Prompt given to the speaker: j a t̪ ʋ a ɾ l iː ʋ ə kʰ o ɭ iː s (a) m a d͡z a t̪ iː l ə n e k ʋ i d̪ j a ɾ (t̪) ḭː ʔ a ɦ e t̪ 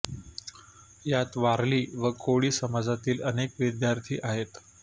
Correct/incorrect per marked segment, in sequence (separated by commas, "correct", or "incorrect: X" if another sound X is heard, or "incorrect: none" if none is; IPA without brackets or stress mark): incorrect: ə, incorrect: t̪ʰ